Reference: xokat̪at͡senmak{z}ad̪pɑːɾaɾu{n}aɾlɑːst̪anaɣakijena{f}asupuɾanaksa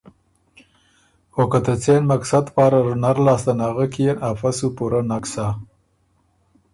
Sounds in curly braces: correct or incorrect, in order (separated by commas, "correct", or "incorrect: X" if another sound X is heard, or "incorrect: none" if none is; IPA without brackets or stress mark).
incorrect: s, correct, correct